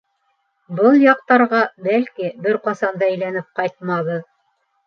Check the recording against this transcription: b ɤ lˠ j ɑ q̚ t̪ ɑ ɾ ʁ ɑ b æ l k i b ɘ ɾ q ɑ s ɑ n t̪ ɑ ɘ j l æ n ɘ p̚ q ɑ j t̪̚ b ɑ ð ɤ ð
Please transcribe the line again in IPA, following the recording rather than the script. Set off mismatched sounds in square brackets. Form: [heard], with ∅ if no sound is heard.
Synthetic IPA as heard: b ɤ lˠ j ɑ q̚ t̪ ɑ ɾ ʁ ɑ b æ l k i b ɘ ɾ q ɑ s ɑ n [d̪] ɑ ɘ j l æ n ɘ p̚ q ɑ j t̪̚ [m] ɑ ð ɤ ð